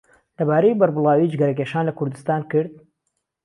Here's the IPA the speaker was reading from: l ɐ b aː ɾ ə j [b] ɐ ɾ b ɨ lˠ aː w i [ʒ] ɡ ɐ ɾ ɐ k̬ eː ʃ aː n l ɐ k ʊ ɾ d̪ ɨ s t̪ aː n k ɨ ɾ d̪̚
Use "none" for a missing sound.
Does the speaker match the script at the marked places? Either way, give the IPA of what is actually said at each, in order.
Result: b, d͡ʒ

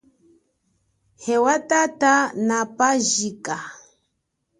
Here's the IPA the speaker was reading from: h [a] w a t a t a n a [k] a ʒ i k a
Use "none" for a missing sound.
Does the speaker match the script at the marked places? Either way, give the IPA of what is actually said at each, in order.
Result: ɛ, p

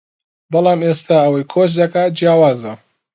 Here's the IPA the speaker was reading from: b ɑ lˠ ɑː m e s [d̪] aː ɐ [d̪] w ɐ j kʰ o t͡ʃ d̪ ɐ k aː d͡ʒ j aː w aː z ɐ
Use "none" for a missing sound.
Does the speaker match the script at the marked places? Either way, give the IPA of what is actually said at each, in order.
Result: t̪, none

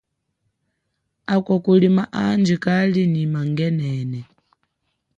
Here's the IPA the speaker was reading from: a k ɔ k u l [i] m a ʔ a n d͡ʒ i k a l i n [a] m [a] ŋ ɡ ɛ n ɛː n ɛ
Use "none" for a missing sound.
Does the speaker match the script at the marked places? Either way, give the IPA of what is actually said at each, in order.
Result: i, i, a

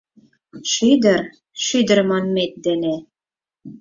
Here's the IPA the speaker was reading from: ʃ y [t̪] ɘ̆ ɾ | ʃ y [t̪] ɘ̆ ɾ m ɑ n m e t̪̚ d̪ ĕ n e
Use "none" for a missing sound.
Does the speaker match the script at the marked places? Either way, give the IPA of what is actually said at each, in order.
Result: d̪, d̪

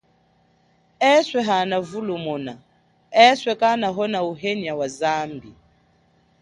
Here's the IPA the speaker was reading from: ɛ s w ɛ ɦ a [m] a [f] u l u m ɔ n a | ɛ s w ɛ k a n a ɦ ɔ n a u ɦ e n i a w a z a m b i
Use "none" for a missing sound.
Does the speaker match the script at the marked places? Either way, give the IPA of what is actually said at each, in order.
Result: n, v

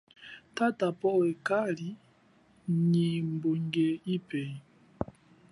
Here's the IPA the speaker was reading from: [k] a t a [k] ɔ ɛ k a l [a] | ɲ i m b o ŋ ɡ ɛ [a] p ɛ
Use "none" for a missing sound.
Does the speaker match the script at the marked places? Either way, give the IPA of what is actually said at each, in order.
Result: t, p, i, i

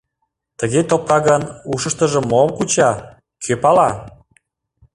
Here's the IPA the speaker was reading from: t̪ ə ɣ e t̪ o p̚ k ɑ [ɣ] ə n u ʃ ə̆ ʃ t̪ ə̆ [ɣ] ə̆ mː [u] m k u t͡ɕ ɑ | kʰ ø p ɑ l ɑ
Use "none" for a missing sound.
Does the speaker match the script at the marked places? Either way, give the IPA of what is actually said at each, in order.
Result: ɣ, ʒ, o

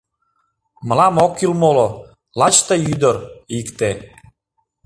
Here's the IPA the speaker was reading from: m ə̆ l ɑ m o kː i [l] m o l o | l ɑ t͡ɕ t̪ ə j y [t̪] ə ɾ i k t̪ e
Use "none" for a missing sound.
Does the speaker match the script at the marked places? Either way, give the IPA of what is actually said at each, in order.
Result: l, d̪

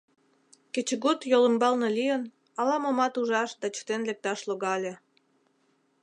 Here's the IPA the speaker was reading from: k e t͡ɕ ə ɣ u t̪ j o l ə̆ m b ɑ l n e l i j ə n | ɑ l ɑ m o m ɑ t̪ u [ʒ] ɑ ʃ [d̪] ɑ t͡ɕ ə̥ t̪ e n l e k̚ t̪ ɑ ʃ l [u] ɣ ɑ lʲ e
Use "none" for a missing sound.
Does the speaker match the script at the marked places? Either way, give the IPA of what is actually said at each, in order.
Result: ʒ, d̪, o

